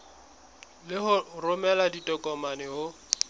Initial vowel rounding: unrounded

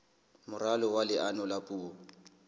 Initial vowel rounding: rounded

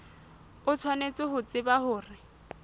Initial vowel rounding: rounded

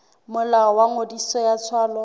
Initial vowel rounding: rounded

